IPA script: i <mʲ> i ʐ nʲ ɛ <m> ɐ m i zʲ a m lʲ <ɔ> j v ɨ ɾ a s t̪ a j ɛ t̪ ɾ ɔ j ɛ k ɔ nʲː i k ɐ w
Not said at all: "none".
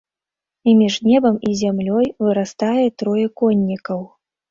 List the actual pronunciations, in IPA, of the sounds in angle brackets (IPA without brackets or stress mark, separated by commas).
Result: mʲ, b, ɔ